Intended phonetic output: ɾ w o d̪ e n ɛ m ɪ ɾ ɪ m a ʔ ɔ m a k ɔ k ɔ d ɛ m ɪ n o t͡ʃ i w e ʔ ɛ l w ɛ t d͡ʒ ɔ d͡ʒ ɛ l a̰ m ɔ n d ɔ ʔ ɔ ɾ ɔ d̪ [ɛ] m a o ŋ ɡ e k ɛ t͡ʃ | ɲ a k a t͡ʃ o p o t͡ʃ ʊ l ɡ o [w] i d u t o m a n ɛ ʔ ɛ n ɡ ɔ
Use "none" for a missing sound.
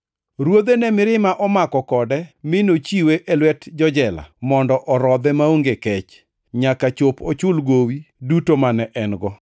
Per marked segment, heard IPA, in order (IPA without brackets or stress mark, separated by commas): ɛ, w